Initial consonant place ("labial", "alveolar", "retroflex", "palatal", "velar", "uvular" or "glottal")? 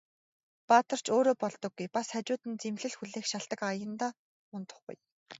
labial